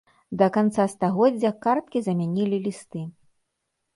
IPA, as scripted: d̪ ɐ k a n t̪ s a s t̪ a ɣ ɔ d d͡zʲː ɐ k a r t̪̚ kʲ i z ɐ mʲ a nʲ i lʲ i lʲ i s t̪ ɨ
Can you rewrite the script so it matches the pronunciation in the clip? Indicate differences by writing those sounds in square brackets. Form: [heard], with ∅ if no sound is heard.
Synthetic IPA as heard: d̪ ɐ k a n t̪ s a s t̪ a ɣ ɔ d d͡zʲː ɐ k a r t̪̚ kʲ i z ɐ mʲ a nʲ i lʲ i lʲ i s t̪ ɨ